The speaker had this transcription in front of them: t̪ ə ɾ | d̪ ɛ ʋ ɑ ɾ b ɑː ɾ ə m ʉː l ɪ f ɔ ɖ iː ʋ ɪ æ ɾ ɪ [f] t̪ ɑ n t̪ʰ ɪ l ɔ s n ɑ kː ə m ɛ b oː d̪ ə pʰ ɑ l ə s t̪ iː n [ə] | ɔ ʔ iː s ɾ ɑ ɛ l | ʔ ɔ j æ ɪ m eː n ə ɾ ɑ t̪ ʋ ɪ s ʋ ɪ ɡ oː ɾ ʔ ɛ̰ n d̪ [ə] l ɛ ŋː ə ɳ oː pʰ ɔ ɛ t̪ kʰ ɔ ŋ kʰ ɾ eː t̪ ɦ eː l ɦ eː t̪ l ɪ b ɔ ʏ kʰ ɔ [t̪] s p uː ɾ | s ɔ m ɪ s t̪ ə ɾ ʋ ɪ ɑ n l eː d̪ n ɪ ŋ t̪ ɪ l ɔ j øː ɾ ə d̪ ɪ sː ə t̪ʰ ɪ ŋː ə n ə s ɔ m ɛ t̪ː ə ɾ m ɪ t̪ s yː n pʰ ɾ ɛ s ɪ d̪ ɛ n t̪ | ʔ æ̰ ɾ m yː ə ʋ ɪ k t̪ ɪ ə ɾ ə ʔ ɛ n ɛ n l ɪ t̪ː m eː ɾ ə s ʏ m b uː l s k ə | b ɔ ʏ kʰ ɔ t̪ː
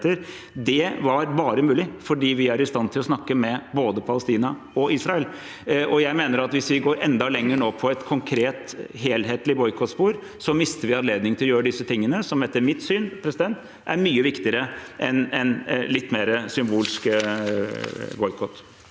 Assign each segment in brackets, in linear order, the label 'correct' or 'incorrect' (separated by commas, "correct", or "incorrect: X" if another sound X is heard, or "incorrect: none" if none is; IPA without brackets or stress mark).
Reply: incorrect: s, incorrect: ɑ, incorrect: ɑ, correct